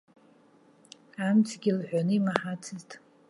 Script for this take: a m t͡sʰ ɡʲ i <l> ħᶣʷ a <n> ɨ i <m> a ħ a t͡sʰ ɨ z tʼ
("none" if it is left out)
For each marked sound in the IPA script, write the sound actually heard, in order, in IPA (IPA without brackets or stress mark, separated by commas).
l, n, m